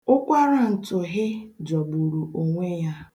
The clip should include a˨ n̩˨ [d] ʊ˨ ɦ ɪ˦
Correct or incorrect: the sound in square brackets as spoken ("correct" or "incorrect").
incorrect